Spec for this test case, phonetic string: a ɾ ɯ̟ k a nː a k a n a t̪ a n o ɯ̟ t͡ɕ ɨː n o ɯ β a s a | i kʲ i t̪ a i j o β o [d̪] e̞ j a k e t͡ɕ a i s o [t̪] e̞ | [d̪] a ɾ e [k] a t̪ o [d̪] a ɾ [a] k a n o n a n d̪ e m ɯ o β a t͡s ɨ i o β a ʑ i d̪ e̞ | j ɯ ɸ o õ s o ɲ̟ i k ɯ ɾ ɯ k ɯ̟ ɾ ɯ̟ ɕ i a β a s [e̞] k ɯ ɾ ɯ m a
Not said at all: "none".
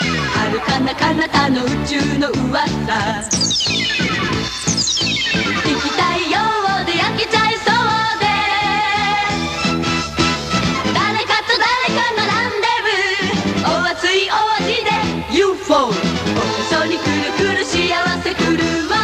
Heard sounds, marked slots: d̪, d̪, d̪, k, d̪, e, e̞

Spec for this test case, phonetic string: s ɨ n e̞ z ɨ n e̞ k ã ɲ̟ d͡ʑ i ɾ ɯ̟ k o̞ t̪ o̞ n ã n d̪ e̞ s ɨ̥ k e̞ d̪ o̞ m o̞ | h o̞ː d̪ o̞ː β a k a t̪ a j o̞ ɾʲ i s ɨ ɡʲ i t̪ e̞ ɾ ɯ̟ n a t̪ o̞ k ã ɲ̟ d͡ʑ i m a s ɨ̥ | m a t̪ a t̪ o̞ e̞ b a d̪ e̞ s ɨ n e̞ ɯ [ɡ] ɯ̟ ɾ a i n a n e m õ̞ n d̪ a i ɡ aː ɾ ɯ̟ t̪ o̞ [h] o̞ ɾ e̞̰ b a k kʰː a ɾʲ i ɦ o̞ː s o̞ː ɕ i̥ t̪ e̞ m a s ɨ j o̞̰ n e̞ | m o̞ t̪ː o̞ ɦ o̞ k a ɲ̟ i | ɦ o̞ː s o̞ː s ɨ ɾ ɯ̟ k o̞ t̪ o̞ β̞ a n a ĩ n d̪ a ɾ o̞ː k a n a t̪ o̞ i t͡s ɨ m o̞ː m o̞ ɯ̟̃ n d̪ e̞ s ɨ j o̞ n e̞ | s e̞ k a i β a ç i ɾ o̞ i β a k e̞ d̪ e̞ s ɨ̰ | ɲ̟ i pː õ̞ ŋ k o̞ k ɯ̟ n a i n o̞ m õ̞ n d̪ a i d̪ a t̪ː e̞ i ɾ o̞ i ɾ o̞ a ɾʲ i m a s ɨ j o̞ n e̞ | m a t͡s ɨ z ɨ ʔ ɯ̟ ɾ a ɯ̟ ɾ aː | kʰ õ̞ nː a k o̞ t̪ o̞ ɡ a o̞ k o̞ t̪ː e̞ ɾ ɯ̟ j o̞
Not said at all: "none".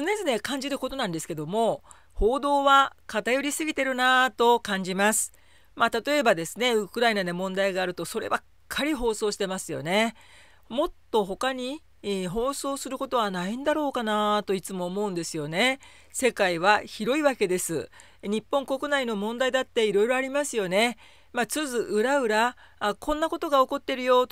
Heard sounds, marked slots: k, s

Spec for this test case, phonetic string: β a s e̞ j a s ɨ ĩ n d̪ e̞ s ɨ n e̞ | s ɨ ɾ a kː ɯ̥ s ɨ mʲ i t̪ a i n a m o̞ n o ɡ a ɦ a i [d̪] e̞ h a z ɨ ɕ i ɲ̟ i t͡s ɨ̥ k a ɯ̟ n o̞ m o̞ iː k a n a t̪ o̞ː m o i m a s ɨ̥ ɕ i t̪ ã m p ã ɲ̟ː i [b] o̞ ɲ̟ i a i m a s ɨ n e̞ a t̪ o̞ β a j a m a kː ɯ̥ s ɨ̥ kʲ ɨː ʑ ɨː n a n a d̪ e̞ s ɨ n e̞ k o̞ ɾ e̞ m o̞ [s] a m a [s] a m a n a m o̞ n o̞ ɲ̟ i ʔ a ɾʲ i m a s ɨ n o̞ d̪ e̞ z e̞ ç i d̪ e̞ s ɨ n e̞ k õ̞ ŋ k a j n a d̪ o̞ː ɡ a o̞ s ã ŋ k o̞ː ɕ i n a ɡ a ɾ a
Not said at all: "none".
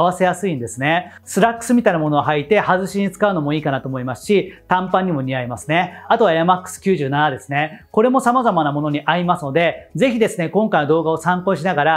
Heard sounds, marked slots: t̪, m, s, z

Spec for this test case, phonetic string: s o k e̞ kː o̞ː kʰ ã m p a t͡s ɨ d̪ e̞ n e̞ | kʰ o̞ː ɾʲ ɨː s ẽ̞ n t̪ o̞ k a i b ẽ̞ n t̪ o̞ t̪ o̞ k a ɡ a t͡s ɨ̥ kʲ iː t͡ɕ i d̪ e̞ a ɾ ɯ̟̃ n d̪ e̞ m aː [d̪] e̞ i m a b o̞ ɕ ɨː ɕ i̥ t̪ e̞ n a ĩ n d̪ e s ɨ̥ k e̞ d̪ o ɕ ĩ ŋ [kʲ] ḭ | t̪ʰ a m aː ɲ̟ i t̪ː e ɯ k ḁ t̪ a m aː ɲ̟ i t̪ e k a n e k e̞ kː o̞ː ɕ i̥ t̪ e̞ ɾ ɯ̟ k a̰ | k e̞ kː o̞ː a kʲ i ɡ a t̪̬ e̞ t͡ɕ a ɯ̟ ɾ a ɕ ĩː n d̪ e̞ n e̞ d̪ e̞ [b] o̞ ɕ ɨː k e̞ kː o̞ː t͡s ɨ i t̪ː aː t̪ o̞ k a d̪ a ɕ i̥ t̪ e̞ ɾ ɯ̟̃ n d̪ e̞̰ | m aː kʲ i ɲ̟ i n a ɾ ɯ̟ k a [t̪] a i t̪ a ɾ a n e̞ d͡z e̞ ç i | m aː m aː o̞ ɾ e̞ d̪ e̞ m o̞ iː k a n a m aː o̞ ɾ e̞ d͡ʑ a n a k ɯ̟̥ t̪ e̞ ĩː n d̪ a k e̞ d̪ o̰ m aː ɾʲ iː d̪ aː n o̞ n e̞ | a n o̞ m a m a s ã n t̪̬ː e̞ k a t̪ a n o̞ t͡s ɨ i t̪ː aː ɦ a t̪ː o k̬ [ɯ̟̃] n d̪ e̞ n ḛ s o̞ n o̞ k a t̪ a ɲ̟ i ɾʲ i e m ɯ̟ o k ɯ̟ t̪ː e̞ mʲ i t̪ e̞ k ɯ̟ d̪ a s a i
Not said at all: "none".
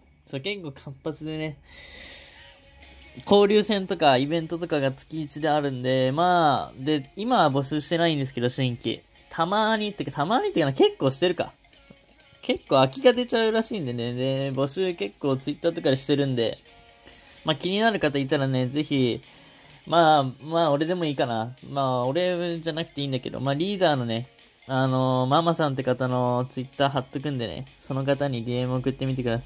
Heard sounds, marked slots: d̪, kʲ, b, t̪, ɯ̟̃

